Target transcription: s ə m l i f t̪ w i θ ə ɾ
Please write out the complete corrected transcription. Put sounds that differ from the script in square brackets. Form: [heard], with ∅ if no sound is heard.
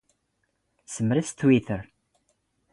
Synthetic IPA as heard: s ə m [ɾ] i [s] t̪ w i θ ə ɾ